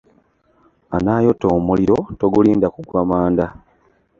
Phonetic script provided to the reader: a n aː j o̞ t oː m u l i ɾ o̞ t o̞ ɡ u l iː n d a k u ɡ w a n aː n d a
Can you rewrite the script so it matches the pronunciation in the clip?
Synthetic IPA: a n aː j o̞ t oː m u l i ɾ o̞ t o̞ ɡ u l iː n d a k u ɡ w a m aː n d a